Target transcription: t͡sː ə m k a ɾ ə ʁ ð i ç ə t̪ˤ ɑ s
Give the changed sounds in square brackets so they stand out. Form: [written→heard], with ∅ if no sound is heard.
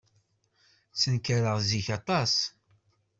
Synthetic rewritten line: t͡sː ə [m→n] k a ɾ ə ʁ [ð→z] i ç [ə→ɑ] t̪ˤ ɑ s